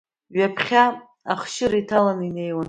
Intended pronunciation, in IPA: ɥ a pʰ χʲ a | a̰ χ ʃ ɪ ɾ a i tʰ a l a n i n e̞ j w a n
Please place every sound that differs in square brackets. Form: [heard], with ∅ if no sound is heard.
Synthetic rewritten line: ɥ a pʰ χʲ a | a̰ χ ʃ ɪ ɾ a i tʰ a l a n i n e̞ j w a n

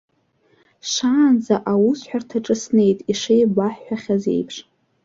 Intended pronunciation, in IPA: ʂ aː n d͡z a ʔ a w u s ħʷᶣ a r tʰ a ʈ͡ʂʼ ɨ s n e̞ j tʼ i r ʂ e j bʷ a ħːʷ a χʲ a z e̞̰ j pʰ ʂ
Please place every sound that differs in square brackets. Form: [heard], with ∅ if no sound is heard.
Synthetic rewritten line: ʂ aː n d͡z a ʔ a w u s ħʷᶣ a r tʰ a ʈ͡ʂʼ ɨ s n e̞ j tʼ i [∅] ʂ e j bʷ a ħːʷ a χʲ a z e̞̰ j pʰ ʂ

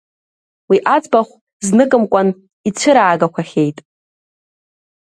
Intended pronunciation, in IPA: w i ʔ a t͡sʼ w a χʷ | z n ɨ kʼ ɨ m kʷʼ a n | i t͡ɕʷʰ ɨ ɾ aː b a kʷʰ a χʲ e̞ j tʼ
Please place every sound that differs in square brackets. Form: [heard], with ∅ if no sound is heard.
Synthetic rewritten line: w i ʔ a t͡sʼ [b] a χʷ | z n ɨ kʼ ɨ m kʷʼ a n | i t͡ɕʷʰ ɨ ɾ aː [ɡ] a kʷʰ a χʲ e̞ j tʼ

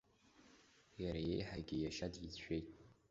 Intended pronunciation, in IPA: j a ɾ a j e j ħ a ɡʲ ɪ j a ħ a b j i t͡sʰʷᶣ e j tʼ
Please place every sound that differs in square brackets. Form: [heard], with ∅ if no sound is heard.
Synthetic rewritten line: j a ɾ a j e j ħ a ɡʲ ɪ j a [ʃ] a [d] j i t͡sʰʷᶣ e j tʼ

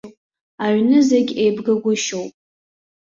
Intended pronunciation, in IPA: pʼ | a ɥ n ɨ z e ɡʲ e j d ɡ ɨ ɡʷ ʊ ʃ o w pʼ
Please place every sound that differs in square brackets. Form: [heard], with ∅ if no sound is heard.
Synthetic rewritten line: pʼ | a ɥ n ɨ z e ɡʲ e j [b] ɡ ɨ ɡʷ ʊ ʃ o w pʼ

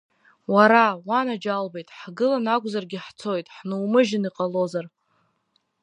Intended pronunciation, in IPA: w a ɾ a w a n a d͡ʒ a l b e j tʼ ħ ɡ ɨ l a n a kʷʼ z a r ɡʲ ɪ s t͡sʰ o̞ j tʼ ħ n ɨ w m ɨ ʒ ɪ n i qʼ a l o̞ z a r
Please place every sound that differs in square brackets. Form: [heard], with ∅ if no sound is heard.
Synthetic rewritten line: w a ɾ a w a n a d͡ʒ a l b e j tʼ ħ ɡ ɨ l a n a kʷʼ z a r ɡʲ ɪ [ħ] t͡sʰ o̞ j tʼ ħ n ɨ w m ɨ ʒ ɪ n i qʼ a l o̞ z a r

